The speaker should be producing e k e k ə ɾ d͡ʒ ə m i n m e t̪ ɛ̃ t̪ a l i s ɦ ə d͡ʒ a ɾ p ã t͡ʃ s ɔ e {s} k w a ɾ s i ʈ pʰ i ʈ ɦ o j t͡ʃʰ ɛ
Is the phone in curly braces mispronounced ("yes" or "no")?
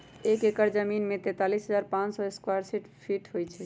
no